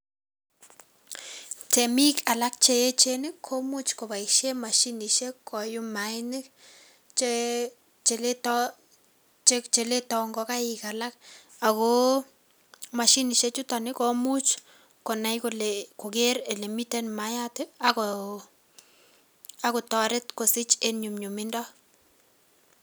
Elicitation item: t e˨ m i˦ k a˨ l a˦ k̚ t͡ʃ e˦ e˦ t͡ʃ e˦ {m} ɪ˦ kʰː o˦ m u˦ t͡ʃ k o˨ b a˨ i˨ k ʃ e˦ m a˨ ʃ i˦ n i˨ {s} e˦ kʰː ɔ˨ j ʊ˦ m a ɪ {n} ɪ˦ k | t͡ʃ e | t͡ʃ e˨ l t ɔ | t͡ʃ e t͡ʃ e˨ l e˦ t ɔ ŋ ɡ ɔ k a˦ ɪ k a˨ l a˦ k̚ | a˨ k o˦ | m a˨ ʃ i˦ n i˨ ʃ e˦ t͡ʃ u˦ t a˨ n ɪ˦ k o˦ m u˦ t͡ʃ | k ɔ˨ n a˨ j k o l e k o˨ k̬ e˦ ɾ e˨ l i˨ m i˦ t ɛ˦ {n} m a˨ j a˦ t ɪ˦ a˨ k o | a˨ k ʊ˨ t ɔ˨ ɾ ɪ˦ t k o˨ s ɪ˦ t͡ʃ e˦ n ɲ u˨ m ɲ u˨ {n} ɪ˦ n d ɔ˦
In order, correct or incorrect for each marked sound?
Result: incorrect, incorrect, correct, correct, incorrect

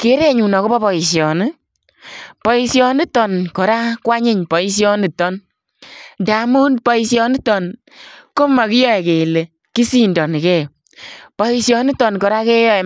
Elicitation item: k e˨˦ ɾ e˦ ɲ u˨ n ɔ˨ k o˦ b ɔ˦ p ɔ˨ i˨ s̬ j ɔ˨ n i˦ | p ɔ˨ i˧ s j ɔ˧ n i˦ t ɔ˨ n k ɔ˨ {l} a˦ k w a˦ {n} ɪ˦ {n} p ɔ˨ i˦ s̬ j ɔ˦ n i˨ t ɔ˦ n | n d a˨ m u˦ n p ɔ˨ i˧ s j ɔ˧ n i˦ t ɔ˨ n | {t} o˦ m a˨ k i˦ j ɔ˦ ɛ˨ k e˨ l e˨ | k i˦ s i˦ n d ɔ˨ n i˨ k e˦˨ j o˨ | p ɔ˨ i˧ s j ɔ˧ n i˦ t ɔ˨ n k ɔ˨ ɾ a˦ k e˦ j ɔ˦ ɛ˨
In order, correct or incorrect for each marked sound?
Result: incorrect, incorrect, incorrect, incorrect

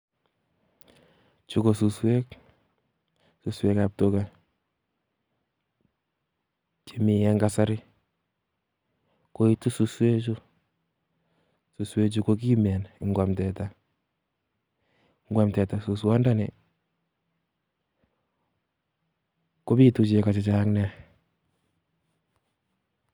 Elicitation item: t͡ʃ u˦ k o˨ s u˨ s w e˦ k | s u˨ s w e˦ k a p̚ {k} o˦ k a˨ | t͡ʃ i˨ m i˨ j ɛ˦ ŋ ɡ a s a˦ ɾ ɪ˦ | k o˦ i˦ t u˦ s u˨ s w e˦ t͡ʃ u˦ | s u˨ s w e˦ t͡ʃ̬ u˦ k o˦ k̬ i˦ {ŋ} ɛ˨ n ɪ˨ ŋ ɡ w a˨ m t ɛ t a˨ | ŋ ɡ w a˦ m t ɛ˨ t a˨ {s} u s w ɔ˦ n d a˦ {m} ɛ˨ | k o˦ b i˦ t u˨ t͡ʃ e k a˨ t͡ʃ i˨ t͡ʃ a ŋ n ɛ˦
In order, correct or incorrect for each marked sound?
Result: incorrect, incorrect, correct, incorrect

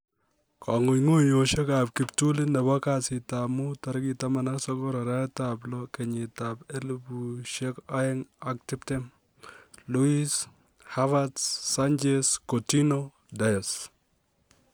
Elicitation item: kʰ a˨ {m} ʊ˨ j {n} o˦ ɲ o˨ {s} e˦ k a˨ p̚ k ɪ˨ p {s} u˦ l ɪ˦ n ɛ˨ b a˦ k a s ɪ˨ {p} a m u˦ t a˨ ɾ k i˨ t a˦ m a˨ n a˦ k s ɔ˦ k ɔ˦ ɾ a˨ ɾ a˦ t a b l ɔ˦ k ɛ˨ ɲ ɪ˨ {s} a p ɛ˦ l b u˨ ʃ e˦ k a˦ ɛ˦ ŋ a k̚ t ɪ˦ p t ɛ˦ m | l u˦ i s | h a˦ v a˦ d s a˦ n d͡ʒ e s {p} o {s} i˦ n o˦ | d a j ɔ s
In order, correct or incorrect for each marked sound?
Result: incorrect, incorrect, incorrect, incorrect, incorrect, incorrect, incorrect, incorrect

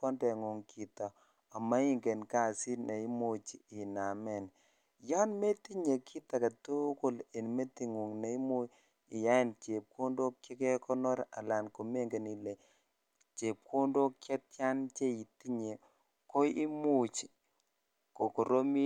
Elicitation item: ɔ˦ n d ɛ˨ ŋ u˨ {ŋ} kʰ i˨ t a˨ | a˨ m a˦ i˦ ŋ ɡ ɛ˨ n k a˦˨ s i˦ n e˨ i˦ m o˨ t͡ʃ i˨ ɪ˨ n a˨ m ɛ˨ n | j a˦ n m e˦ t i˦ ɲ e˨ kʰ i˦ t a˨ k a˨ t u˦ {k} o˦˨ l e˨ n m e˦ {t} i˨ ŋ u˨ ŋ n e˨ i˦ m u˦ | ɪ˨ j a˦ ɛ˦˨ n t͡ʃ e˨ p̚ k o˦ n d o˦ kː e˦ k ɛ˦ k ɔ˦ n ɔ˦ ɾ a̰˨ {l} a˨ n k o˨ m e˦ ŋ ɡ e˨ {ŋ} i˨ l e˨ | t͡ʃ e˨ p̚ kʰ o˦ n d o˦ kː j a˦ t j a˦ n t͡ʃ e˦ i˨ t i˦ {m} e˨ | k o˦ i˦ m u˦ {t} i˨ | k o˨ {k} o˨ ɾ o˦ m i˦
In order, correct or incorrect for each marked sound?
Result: correct, correct, correct, correct, incorrect, incorrect, incorrect, correct

